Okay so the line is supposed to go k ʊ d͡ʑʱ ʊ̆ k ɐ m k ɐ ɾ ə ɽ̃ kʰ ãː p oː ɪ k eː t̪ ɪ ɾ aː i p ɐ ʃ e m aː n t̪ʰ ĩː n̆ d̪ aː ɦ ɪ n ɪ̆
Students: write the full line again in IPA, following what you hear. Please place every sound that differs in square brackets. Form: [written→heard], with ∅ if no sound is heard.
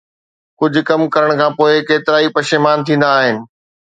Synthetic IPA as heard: k ʊ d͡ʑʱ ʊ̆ k ɐ m k ɐ ɾ ə ɽ̃ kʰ ãː p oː ɪ k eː t̪ ɪ ɾ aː i p ɐ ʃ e m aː n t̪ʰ ĩː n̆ d̪ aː ɦ ɪ n ɪ̆

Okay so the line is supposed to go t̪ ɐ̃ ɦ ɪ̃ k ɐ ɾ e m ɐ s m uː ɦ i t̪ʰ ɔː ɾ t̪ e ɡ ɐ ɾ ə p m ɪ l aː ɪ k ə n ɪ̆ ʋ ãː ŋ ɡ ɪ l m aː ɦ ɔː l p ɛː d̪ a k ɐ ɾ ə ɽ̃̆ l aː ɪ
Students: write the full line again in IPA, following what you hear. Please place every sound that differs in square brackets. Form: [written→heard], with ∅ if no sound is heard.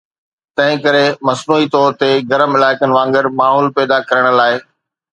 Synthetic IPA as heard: t̪ ɐ̃ ɦ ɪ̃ k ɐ ɾ e m ɐ s [m→n] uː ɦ i [t̪ʰ→t̪] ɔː ɾ t̪ e ɡ ɐ ɾ ə [p→∅] m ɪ l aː ɪ k ə n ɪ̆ ʋ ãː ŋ ɡ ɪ [l→ɾ] m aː ɦ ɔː l p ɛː d̪ a k ɐ ɾ ə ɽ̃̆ l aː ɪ

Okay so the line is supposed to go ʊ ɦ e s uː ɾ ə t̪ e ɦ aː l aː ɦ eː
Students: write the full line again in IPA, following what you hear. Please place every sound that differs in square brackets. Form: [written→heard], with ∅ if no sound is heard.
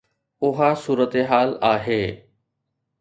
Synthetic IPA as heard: ʊ ɦ [e→a] s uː ɾ ə t̪ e ɦ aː l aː ɦ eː

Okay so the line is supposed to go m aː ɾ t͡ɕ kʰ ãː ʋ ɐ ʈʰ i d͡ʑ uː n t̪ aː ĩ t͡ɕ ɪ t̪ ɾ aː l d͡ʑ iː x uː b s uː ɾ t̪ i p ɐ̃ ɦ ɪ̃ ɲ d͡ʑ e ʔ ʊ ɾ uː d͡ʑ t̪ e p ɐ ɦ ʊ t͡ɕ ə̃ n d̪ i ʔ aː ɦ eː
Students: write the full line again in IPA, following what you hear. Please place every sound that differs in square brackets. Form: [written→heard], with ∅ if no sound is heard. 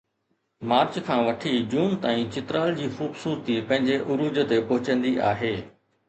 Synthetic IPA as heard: m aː ɾ t͡ɕ kʰ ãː ʋ ɐ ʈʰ i d͡ʑ uː n t̪ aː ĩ t͡ɕ ɪ t̪ ɾ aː l d͡ʑ iː x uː b s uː ɾ t̪ i p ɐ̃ ɦ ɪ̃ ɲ d͡ʑ e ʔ ʊ ɾ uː d͡ʑ t̪ e p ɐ ɦ ʊ t͡ɕ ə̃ n d̪ i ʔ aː ɦ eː

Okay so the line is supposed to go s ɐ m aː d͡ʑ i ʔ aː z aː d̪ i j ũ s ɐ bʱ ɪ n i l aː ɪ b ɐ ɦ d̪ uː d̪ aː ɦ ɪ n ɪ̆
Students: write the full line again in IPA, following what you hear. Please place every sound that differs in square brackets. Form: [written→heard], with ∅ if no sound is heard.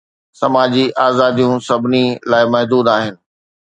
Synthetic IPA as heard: s ɐ m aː d͡ʑ i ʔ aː z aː d̪ i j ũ s ɐ bʱ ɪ n i l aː ɪ [b→m] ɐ ɦ d̪ uː d̪ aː ɦ ɪ n ɪ̆

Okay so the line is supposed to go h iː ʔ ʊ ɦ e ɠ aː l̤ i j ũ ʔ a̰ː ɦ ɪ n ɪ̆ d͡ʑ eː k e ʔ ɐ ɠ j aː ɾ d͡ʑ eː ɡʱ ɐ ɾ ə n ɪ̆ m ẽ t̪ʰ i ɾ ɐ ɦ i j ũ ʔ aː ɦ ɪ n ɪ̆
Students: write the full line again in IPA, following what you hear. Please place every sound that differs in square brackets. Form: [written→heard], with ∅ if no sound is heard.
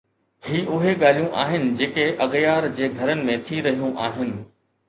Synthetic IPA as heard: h iː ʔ ʊ ɦ e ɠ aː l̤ i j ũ ʔ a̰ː ɦ ɪ n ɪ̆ d͡ʑ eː k e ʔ ɐ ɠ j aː ɾ d͡ʑ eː ɡʱ ɐ ɾ ə n ɪ̆ m ẽ t̪ʰ i ɾ ɐ ɦ i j ũ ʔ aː ɦ ɪ n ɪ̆

